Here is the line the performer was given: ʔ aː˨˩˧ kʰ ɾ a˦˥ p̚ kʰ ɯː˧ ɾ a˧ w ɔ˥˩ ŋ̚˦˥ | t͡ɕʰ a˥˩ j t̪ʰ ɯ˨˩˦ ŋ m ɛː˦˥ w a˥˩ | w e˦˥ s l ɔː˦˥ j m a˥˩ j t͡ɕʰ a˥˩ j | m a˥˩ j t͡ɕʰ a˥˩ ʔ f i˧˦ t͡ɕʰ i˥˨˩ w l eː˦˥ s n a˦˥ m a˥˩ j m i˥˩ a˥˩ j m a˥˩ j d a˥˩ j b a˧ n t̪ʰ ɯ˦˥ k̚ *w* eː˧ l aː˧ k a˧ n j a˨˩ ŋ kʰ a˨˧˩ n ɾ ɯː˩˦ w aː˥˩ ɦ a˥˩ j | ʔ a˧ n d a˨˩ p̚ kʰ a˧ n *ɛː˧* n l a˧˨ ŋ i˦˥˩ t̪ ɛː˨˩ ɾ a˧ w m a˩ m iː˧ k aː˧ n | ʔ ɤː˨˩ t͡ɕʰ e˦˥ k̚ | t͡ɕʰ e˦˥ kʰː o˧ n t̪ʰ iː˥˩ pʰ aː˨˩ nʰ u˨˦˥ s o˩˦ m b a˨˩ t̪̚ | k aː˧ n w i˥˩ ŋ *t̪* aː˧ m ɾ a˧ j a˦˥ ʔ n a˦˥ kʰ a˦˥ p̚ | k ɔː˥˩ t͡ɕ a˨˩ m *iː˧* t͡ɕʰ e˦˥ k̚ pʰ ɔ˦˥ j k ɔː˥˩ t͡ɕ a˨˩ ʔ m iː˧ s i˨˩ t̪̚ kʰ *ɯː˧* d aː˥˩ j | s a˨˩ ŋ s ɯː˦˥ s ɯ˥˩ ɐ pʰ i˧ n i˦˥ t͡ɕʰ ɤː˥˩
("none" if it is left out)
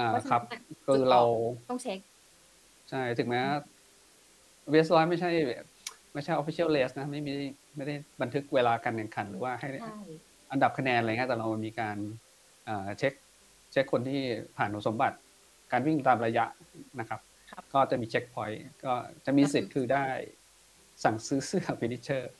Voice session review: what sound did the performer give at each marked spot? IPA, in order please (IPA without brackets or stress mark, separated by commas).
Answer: w, ɛː˧, t̪, iː˧, ɯː˧